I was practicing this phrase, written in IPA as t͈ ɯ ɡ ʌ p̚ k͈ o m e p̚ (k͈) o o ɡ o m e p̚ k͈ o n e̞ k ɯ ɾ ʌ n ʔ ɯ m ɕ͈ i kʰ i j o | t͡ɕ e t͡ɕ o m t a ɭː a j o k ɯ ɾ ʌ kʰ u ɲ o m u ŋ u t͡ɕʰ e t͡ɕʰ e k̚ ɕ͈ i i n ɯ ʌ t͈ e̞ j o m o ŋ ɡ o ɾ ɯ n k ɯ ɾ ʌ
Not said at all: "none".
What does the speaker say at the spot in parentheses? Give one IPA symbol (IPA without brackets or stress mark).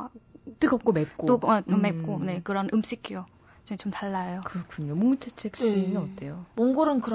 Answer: k͈